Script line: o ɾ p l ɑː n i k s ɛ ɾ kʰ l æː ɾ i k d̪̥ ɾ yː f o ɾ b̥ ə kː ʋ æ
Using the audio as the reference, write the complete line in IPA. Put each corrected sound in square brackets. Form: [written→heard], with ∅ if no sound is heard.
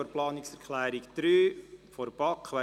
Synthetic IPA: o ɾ p l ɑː n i k s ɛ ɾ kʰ l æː ɾ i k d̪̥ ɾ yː f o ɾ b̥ [ə→ɑ] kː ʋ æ